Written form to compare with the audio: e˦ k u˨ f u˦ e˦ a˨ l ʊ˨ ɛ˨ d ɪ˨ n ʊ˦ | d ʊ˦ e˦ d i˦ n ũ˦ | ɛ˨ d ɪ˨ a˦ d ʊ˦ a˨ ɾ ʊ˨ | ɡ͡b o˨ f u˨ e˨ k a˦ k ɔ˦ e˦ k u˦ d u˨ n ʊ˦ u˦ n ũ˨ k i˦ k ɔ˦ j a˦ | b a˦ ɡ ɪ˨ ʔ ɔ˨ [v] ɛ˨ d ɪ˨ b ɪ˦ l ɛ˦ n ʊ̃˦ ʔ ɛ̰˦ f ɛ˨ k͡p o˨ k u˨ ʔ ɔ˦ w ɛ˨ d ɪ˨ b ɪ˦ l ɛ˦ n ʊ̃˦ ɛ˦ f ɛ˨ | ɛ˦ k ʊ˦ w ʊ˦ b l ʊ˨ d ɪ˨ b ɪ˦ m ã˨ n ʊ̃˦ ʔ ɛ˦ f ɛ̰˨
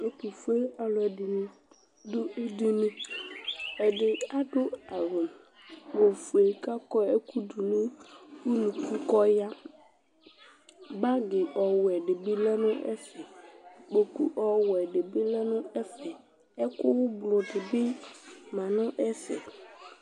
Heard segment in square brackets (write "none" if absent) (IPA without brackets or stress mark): w